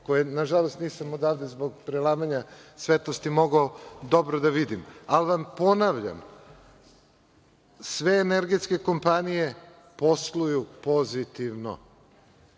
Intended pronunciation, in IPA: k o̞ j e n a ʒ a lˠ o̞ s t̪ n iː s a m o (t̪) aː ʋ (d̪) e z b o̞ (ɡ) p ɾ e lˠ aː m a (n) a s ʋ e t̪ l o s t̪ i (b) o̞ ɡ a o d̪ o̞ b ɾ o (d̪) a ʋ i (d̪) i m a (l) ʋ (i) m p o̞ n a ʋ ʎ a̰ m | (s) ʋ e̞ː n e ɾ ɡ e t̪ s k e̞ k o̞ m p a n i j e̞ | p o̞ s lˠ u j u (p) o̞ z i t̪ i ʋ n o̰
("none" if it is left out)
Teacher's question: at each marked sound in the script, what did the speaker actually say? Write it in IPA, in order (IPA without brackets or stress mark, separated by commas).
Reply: d̪, d̪, ɡ, ɲ, m, d̪, d̪, l, a, s, p